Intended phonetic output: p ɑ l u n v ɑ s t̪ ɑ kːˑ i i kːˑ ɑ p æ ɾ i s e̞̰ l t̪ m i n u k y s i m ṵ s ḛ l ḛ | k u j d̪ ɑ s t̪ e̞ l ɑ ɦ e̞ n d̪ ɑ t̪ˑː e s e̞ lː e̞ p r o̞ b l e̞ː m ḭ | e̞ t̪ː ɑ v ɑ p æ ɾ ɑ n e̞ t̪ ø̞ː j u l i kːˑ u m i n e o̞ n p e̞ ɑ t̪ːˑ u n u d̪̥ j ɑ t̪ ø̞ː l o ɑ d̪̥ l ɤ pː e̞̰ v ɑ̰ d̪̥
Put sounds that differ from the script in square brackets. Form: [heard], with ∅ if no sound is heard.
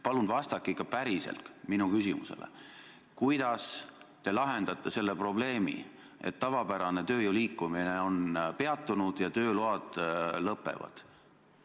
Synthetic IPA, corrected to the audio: p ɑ l u n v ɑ s t̪ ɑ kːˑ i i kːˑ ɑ p æ ɾ i s e̞̰ l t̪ m i n u k y s i m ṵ s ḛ l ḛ | k u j d̪ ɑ s t̪ e̞ l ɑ ɦ e̞ n d̪ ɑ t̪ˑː e s e̞ lː e̞ p r o̞ b l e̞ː m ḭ | e̞ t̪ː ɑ v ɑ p æ ɾ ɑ n e̞ t̪ ø̞ː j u l [iː] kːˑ u m i n e o̞ n p e̞ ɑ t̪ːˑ u n u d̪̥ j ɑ t̪ ø̞ː l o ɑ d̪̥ l ɤ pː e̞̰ v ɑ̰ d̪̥